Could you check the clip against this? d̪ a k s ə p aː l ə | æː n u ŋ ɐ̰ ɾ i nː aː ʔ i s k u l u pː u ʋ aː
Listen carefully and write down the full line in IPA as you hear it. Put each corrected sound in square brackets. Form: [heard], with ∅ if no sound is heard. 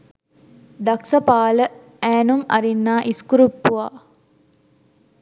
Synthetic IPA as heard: d̪ a k s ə p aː l ə | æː n u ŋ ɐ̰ ɾ i nː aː ʔ i s k u [ɾ] u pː u ʋ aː